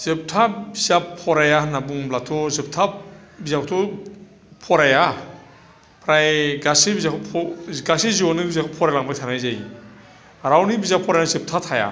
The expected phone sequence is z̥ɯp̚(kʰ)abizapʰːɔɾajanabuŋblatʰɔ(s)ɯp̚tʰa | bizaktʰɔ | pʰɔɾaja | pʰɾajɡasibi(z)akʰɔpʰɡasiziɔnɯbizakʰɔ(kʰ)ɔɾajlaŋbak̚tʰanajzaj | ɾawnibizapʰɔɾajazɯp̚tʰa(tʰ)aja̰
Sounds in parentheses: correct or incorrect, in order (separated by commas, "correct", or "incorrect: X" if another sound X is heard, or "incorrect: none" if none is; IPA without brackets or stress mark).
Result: incorrect: tʰ, incorrect: z, correct, incorrect: pʰ, correct